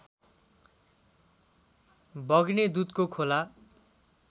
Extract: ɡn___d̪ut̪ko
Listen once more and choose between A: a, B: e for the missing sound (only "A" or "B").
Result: B